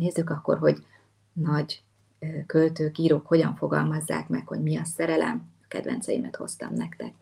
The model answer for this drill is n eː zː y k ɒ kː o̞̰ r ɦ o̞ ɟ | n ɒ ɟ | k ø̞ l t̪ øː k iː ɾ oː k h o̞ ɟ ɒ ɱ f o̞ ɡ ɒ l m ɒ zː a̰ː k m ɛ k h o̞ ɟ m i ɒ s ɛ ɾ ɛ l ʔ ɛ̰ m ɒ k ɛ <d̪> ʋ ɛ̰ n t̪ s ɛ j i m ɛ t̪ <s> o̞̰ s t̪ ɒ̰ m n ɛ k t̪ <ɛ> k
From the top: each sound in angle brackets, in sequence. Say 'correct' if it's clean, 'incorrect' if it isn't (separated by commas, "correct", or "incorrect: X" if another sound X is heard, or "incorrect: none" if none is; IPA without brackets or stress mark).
correct, incorrect: h, correct